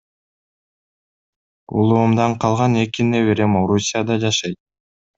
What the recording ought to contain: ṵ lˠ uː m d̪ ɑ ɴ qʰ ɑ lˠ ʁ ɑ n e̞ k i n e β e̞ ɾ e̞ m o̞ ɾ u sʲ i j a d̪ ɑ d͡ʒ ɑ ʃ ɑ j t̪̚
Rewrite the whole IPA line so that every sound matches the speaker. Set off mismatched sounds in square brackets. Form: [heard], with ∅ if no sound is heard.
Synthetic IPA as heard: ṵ lˠ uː m d̪ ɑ ɴ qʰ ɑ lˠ ʁ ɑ n e̞ k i n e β e̞ ɾ e̞ m o̞ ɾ u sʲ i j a d̪ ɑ d͡ʒ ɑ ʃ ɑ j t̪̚